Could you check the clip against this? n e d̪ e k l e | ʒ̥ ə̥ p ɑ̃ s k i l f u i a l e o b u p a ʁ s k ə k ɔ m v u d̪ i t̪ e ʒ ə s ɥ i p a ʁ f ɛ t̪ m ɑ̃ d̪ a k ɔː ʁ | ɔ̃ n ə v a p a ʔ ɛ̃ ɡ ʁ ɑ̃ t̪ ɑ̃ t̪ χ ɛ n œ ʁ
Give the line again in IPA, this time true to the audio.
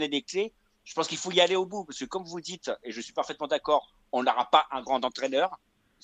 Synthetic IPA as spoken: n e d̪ e k l e | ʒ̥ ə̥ p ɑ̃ s k i l f o i a l e o b u p a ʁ s k ə k ɔ m v u d̪ i t̪ e ʒ ə s ɥ i p a ʁ f ɛ t̪ m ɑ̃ d̪ a k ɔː ʁ | ɔ̃ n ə ʁ a p a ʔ ɛ̃ ɡ ʁ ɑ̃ t̪ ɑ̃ t̪ χ ɛ n œ ʁ